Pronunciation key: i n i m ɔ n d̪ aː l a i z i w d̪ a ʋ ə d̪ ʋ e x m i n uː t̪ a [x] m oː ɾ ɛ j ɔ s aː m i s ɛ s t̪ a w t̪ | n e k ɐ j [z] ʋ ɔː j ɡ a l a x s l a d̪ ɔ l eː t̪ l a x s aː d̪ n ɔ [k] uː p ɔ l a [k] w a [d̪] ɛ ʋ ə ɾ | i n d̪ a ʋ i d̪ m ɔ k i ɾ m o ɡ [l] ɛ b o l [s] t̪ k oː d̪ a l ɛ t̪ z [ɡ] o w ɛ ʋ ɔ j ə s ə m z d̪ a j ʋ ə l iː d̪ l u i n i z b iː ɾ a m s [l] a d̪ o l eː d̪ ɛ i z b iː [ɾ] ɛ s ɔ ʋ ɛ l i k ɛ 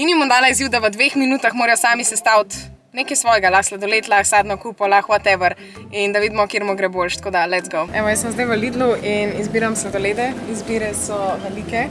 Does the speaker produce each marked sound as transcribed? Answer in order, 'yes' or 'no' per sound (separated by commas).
yes, no, yes, no, no, no, no, yes, yes, yes